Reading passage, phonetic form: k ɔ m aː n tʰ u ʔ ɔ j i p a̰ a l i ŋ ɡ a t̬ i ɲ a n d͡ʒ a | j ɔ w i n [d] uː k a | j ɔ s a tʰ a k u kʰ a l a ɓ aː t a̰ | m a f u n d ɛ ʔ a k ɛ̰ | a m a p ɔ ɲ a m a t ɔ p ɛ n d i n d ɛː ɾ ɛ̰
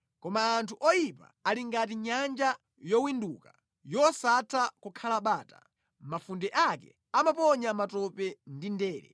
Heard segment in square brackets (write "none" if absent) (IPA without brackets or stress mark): d